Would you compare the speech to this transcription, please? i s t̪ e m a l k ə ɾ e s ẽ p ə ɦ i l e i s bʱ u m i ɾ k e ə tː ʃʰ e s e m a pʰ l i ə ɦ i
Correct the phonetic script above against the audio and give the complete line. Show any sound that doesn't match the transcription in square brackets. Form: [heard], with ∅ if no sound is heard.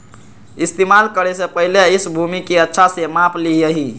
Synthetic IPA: i s t̪ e m a l k ə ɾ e s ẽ p ə ɦ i l e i s bʱ u m i [∅] k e ə tː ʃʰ [a] s e m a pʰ l i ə ɦ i